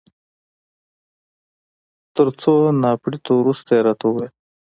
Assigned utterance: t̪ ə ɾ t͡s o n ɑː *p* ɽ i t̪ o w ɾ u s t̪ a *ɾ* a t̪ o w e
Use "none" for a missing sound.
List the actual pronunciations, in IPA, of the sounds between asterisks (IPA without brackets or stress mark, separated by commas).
p, ɾ